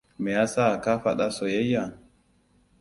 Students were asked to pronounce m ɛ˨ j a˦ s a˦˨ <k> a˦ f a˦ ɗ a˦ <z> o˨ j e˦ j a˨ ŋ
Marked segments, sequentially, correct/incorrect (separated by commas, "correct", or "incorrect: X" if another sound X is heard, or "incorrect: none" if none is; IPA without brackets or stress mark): correct, incorrect: s